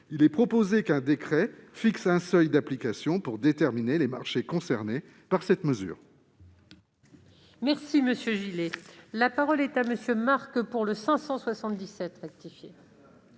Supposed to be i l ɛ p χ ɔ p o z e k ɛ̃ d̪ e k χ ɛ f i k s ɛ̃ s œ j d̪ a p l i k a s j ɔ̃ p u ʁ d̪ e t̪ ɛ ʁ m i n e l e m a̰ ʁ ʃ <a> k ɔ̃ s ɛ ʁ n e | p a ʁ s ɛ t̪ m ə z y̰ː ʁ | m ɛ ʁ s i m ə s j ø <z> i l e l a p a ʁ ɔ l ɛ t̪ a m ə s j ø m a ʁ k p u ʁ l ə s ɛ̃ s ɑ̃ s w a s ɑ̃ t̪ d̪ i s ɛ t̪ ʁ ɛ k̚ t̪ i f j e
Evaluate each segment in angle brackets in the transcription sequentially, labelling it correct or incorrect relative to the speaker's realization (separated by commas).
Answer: incorrect, incorrect